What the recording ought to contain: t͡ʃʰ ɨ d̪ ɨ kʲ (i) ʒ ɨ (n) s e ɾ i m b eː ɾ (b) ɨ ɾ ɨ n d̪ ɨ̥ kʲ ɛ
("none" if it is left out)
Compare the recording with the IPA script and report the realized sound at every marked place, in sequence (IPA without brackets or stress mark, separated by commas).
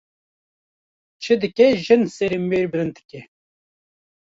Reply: ɛ, n, b